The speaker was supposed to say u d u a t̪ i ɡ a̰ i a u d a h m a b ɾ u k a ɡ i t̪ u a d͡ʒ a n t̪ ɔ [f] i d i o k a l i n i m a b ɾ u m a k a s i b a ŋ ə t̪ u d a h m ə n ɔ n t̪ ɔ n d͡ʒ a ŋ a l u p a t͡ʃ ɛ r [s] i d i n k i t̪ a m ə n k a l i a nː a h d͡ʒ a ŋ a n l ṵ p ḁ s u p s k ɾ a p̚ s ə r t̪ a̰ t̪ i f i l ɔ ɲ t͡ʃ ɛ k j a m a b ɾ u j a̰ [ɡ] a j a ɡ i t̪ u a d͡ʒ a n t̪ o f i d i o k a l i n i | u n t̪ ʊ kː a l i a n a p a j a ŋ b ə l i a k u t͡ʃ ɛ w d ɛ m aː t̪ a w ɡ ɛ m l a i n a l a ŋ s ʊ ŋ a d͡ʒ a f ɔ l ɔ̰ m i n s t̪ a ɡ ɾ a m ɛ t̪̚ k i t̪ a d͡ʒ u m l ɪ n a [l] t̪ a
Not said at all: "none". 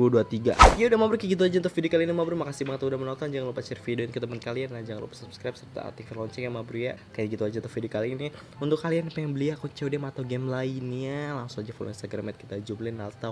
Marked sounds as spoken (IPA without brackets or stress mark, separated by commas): f, f, k, l